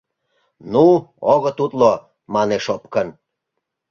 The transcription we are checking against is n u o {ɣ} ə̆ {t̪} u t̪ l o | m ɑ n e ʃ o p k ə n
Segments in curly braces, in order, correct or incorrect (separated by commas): correct, correct